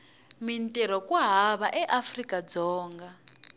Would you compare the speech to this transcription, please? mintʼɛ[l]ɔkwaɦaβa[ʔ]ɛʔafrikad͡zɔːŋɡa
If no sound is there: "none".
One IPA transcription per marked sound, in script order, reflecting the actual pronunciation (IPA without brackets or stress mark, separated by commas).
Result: ɾ, ʔ